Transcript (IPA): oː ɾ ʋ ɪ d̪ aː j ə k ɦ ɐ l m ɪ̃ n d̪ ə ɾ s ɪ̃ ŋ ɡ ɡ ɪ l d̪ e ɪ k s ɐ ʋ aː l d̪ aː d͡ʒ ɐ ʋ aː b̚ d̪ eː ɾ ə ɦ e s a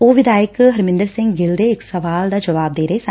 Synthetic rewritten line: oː ʋ ɪ d̪ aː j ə k ɦ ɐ ɾ m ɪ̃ n d̪ ə ɾ s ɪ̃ ŋ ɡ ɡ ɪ l d̪ e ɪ k s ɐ ʋ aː l d̪ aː d͡ʒ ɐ ʋ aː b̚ d̪ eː ɾ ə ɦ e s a